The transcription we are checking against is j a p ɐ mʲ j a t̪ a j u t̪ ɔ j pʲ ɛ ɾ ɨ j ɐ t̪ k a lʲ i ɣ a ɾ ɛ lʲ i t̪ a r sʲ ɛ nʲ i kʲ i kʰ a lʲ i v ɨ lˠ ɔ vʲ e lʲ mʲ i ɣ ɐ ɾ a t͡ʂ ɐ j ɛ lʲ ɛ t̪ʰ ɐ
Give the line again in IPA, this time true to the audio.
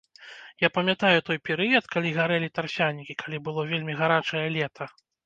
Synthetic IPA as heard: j a p ɐ mʲ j a t̪ a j u t̪ ɔ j pʲ ɛ ɾ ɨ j ɐ t̪ k a lʲ i ɣ a ɾ ɛ lʲ i t̪ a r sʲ a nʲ i kʲ i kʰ a lʲ i b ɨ lˠ ɔ vʲ e lʲ mʲ i ɣ a ɾ a t͡ʂ ɐ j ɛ lʲ ɛ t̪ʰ ɐ